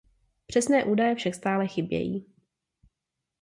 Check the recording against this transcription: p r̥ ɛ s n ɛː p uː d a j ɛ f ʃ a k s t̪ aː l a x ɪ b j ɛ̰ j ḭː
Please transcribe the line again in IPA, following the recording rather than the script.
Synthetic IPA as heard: p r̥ ɛ s n ɛː ʔ uː d a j ɛ f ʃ a k s t̪ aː l ɛ x ɪ b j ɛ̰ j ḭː